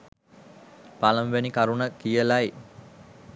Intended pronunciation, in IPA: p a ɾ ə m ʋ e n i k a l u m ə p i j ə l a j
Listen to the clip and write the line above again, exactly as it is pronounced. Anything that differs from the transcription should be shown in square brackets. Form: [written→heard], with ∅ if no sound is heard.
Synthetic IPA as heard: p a [ɾ→l] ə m ʋ e n i k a [l→ɾ] u [m→n] ə [p→k] i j ə l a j